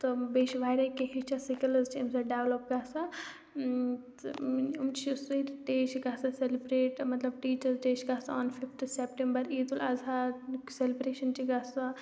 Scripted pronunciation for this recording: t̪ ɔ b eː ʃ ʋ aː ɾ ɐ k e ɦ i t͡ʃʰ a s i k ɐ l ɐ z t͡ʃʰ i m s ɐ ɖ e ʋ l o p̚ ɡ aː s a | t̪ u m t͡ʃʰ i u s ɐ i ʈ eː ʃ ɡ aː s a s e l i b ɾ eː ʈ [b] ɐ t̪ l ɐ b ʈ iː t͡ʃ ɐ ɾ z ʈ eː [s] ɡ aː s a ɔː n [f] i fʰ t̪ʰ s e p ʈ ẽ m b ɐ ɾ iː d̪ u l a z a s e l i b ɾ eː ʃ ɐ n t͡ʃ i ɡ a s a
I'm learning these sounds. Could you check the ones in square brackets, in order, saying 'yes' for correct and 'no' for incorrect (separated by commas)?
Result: no, no, yes